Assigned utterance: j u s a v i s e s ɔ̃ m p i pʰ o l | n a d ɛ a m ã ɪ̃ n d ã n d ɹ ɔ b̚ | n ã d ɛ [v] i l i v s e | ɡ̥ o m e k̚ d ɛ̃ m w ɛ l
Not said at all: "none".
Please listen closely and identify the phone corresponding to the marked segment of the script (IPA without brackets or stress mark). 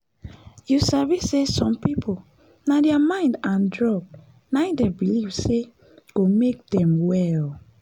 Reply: b